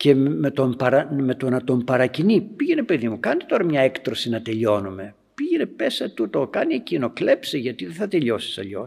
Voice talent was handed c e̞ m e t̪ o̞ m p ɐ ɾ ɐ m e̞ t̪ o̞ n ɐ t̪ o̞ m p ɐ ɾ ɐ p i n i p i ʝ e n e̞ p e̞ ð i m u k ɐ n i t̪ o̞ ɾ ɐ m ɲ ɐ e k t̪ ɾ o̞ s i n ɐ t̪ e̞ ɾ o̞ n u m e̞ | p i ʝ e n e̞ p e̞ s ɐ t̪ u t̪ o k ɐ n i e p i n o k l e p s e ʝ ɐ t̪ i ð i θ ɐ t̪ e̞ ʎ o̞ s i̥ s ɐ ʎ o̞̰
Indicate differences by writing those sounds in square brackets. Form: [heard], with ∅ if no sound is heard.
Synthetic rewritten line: c e̞ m e t̪ o̞ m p ɐ ɾ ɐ m e̞ t̪ o̞ n ɐ t̪ o̞ m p ɐ ɾ ɐ [c] i n i p i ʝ e n e̞ p e̞ ð i m u k ɐ n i t̪ o̞ ɾ ɐ m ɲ ɐ e k t̪ ɾ o̞ s i n ɐ t̪ e̞ [ʎ] o̞ n u m e̞ | p i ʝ e n e̞ p e̞ s ɐ t̪ u t̪ o k ɐ n i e [c] i n o k l e p s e ʝ ɐ t̪ i ð [e] θ ɐ t̪ e̞ ʎ o̞ s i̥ s ɐ ʎ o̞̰